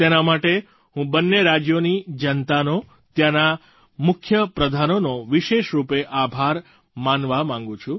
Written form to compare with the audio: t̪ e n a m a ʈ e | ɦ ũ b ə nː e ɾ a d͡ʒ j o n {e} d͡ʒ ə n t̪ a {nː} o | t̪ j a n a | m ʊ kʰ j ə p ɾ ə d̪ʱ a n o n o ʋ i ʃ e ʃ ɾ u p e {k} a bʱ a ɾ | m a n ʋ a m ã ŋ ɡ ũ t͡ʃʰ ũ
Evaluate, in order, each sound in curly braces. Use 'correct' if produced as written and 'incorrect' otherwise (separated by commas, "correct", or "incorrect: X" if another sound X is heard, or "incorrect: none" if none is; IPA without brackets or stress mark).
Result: incorrect: i, incorrect: n, incorrect: ʔ